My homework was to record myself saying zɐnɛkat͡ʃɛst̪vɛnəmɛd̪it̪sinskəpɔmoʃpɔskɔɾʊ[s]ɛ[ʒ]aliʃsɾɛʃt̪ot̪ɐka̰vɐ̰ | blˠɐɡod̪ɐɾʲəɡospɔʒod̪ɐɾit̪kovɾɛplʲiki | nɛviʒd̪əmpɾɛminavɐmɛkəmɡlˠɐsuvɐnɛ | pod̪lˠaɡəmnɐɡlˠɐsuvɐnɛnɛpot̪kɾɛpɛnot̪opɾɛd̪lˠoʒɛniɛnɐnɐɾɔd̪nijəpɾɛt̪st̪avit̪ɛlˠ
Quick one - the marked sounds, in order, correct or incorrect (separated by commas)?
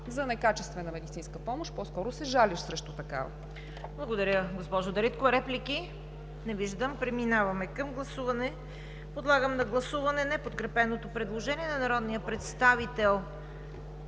correct, correct